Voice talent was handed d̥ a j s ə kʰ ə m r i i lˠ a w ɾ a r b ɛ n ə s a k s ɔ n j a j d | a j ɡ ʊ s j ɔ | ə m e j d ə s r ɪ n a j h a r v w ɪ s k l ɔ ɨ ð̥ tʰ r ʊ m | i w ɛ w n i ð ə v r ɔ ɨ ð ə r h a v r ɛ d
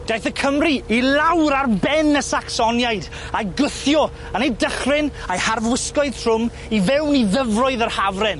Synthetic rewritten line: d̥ a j θ ə kʰ ə m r i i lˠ a w ɾ a r b ɛ n ə s a k s ɔ n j a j d | a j ɡ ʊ θ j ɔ | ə n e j d ə χ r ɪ n a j h a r v w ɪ s k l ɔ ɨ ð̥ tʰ r ʊ m | i v ɛ w n i ð ə v r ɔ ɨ ð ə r h a v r ɛ n